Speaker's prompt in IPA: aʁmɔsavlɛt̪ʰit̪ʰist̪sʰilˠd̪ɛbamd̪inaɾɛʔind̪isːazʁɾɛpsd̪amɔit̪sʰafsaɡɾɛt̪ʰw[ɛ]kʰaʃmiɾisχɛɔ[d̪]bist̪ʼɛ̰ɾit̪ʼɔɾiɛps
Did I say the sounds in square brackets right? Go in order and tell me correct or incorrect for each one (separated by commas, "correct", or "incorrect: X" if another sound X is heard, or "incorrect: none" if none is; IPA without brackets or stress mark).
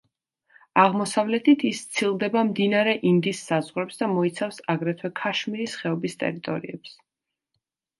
correct, incorrect: none